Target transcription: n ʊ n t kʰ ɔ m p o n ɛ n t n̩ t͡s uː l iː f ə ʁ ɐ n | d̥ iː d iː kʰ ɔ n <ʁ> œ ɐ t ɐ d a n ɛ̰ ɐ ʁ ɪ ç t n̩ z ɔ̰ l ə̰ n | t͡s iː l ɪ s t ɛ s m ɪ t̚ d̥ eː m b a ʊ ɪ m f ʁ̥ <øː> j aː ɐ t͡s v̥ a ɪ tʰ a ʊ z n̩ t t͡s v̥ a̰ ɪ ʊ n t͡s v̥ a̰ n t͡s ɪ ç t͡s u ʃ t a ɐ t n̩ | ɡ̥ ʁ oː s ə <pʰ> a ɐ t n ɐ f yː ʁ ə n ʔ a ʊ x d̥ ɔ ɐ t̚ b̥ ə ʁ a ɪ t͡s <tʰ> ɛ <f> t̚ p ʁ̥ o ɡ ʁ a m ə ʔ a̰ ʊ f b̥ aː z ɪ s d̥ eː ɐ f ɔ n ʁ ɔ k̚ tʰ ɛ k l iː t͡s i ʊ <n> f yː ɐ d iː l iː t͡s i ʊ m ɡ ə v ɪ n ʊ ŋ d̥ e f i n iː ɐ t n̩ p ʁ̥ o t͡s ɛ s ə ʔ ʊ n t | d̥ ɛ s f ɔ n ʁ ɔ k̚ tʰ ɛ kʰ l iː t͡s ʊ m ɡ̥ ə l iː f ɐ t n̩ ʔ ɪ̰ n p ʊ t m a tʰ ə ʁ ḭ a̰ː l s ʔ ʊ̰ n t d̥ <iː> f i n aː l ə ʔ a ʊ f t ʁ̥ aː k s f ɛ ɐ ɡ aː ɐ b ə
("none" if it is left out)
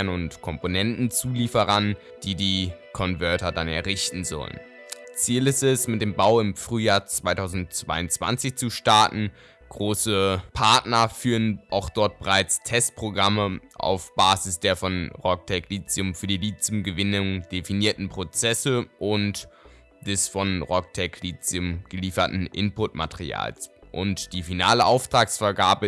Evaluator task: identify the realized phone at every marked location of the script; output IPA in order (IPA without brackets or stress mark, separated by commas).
v, yː, pʰ, tʰ, s, m, iː